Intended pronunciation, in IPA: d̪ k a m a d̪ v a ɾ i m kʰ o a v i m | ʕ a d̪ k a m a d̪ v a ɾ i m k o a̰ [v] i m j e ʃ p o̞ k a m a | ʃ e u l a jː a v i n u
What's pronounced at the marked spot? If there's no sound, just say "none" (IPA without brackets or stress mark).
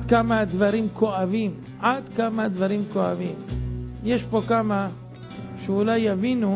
v